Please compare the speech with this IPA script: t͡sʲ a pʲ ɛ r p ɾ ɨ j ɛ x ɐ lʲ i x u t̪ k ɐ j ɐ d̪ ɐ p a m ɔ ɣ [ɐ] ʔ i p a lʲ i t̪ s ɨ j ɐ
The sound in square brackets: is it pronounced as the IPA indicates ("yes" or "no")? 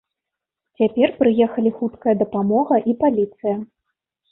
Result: yes